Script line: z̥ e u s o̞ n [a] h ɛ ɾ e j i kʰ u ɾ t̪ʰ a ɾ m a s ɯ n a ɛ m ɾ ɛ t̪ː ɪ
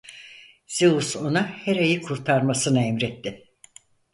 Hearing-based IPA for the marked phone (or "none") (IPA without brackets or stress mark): a